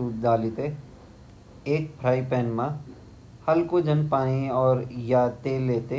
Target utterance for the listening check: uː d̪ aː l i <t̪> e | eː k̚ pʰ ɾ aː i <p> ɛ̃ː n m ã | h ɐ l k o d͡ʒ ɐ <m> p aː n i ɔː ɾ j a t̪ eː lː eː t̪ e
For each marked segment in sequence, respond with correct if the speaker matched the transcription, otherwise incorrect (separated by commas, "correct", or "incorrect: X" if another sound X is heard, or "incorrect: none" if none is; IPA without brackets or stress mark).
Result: correct, correct, incorrect: n